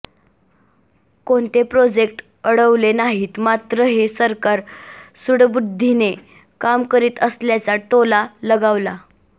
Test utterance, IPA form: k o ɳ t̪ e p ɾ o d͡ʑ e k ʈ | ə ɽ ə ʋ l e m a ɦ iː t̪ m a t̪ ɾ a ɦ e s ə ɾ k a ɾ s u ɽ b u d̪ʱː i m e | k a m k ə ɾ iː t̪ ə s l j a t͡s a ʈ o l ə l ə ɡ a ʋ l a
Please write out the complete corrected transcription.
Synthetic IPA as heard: k o ɳ t̪ e p ɾ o d͡ʑ e k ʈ | ə ɽ ə ʋ l e n a ɦ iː t̪ m a t̪ ɾ ə ɦ e s ə ɾ k a ɾ s u ɽ b u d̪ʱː i n e | k a m k ə ɾ iː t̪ ə s l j a t͡s a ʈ o l a l ə ɡ a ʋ l a